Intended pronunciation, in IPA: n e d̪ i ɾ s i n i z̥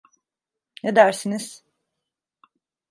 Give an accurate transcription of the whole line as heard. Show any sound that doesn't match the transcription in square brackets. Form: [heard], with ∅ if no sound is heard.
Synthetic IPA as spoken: n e d̪ [æ] ɾ s i n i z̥